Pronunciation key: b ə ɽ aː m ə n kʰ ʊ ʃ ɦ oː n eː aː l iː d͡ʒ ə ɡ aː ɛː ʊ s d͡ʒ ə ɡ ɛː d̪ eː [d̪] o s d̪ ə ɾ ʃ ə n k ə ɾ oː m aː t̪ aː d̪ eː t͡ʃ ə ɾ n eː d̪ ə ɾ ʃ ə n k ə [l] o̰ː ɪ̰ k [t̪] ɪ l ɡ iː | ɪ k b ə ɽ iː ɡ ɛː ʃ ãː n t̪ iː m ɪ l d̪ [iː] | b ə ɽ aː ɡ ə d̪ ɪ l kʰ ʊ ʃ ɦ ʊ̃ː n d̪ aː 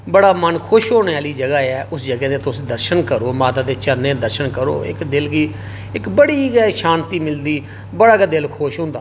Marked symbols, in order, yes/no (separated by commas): no, no, no, yes